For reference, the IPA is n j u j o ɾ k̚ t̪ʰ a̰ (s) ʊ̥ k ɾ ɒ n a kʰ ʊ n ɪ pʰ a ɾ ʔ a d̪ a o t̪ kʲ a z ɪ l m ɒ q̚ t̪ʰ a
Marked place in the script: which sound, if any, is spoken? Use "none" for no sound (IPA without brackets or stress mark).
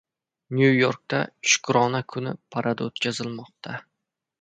ʃ